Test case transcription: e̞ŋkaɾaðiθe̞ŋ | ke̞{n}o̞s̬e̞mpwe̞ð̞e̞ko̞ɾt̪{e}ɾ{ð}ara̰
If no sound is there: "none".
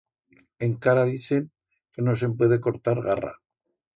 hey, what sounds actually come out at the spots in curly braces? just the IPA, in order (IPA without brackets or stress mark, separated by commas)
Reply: n, a, ɣ